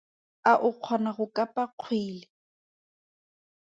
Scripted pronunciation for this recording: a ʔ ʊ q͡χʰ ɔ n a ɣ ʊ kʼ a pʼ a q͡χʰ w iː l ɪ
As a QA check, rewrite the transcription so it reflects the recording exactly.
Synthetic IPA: a ʔ ʊ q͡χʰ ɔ n a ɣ ʊ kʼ a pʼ a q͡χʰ w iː l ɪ